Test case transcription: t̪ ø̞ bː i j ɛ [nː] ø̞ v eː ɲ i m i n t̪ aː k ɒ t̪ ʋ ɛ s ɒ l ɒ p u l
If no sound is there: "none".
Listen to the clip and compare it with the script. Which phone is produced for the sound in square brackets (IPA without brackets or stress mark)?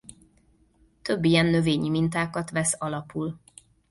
nː